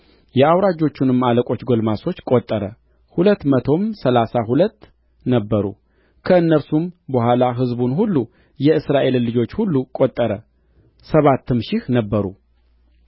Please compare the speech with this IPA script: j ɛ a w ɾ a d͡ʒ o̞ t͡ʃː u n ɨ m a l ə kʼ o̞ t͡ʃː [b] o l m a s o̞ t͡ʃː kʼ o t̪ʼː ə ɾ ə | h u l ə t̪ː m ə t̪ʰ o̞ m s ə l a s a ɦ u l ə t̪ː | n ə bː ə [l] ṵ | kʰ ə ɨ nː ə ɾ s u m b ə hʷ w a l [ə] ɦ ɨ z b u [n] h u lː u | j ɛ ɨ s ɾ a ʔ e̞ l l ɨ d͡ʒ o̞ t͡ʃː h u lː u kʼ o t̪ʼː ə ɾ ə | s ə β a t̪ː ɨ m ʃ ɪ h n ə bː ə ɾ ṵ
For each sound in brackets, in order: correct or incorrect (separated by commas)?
incorrect, incorrect, incorrect, correct